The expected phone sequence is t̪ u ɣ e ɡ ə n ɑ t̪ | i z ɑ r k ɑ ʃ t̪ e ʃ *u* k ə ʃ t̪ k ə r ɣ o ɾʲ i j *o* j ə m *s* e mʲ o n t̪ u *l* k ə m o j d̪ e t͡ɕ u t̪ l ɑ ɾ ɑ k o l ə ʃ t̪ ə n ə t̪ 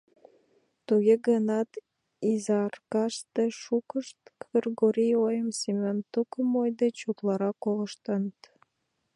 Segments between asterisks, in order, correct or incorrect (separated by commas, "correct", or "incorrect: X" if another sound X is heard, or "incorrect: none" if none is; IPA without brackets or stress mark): correct, correct, correct, incorrect: none